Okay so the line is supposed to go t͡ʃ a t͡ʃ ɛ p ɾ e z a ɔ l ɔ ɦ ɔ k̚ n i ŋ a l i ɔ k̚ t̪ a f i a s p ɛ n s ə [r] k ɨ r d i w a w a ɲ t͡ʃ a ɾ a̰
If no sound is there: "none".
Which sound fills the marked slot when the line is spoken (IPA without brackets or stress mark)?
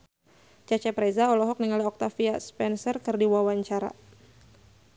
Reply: r